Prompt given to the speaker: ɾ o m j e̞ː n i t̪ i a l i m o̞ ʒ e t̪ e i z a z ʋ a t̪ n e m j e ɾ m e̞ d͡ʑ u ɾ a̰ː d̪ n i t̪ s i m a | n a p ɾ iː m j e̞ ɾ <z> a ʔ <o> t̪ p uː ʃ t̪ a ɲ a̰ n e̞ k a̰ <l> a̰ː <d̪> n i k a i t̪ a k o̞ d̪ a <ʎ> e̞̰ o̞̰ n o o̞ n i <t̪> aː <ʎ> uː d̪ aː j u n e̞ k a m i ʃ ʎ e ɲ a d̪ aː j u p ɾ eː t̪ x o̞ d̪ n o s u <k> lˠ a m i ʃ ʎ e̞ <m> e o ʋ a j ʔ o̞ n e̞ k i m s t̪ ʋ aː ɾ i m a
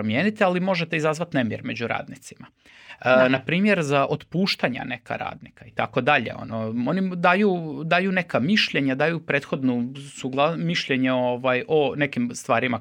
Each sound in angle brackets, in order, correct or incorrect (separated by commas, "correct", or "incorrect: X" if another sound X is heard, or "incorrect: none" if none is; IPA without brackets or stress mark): correct, correct, incorrect: ɾ, correct, correct, incorrect: d̪, incorrect: j, incorrect: ɡ, incorrect: ɲ